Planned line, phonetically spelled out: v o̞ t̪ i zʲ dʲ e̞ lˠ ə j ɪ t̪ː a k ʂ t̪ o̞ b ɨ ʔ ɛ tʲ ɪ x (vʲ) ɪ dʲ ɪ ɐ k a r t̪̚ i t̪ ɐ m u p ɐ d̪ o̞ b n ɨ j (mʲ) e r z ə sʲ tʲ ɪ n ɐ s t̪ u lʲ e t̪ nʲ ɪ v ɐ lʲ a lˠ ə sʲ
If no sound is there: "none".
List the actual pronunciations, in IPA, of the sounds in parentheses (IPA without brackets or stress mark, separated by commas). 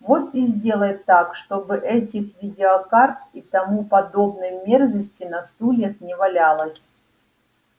vʲ, mʲ